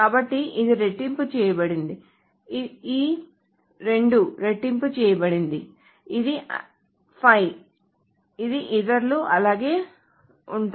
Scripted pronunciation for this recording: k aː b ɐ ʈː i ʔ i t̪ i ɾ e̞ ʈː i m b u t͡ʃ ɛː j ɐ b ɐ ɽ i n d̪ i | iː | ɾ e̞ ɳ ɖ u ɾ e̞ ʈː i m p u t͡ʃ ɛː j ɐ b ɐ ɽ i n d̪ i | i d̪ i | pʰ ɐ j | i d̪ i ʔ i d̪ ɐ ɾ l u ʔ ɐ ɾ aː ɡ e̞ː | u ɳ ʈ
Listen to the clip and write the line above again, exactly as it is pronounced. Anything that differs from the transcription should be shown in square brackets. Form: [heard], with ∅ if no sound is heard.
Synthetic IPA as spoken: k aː b ɐ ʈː i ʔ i [d̪] i ɾ e̞ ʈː i m [p] u t͡ʃ ɛː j ɐ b ɐ ɽ i n d̪ i | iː | ɾ e̞ ɳ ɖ u ɾ e̞ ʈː i m p u t͡ʃ ɛː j ɐ b ɐ ɽ i n d̪ i | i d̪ i | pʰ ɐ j | i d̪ i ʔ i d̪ ɐ ɾ l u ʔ ɐ [l] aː ɡ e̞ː | u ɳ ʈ

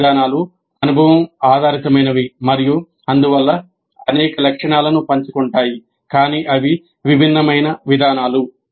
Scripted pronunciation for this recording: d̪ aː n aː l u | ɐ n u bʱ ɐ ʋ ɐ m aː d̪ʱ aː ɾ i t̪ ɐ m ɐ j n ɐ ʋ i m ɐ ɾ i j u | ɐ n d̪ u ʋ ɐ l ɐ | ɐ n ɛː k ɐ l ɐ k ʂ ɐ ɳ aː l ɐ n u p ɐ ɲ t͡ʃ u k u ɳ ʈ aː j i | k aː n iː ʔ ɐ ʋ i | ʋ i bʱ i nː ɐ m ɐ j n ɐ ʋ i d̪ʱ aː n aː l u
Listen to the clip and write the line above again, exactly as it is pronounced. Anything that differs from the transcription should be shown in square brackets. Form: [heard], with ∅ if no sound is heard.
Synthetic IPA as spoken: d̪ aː n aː l u | ɐ n u bʱ ɐ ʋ ɐ m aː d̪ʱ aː ɾ i t̪ ɐ m ɐ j n ɐ ʋ i m ɐ ɾ i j u | ɐ n d̪ u ʋ ɐ [lː] ɐ | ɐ n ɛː k ɐ l ɐ k ʂ ɐ ɳ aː l ɐ n u p ɐ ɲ t͡ʃ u k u ɳ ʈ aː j i | k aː n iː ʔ ɐ ʋ i | ʋ i bʱ i nː ɐ m ɐ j n ɐ ʋ i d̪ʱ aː n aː l u

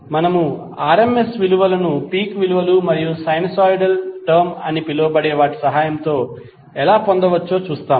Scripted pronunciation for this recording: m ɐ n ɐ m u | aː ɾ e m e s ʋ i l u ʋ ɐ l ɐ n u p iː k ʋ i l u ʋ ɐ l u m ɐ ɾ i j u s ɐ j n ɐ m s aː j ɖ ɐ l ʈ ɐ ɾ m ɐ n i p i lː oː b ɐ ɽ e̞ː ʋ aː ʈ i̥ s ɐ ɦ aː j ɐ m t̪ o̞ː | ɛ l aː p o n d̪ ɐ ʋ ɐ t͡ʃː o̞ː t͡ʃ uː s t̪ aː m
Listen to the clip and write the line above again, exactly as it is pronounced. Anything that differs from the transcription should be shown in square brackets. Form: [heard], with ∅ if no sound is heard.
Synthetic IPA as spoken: m ɐ n ɐ m u | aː ɾ e m e s ʋ i l u ʋ ɐ l ɐ n u p iː k ʋ i l u ʋ ɐ l u m ɐ ɾ i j u s ɐ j n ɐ [∅] s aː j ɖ ɐ l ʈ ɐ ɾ m ɐ n i p i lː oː b ɐ ɽ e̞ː ʋ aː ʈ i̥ s ɐ ɦ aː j ɐ m t̪ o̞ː | ɛ l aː p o n d̪ ɐ ʋ ɐ t͡ʃː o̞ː t͡ʃ uː s t̪ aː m

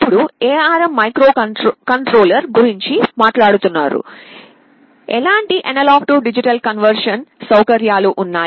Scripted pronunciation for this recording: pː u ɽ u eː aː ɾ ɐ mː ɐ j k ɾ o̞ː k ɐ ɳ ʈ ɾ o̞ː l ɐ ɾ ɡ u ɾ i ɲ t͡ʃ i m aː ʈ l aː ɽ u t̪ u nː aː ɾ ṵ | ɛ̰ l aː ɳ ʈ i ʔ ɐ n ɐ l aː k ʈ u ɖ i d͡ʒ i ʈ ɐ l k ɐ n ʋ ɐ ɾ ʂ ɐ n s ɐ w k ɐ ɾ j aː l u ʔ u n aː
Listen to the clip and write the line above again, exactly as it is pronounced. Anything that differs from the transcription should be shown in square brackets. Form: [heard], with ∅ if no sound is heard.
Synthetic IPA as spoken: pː u ɽ u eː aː ɾ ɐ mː ɐ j k ɾ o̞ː k ɐ ɳ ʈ ɾ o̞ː l ɐ ɾ ɡ u ɾ i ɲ t͡ʃ i m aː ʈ l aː ɽ u t̪ u nː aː ɾ ṵ | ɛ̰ l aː ɳ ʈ i ʔ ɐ n ɐ l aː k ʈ u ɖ i d͡ʒ i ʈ ɐ l k ɐ n ʋ ɐ ɾ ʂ ɐ n s ɐ w k ɐ ɾ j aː l u ʔ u [nː] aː

